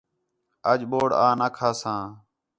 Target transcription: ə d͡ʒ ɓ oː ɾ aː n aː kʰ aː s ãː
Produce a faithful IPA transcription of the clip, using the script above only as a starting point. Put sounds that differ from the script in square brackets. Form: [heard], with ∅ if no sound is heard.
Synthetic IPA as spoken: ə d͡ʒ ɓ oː [ɽ] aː n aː kʰ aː s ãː